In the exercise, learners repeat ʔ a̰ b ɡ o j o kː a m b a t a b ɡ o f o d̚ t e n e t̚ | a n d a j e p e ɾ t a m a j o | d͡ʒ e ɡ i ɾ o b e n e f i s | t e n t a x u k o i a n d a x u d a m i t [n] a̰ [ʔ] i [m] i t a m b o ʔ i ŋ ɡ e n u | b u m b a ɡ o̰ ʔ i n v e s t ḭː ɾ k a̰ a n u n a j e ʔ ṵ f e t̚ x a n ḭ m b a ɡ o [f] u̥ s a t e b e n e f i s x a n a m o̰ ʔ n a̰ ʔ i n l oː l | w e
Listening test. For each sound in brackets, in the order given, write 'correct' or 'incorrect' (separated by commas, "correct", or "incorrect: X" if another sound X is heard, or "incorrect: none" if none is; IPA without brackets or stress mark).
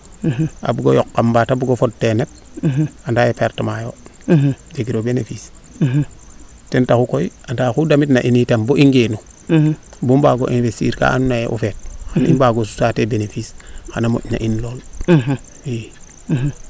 correct, correct, incorrect: n, incorrect: s